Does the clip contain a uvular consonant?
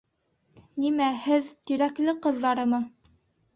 yes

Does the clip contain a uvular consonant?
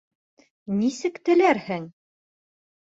no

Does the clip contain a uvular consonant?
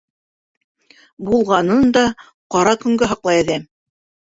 yes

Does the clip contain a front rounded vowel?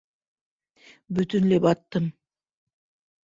yes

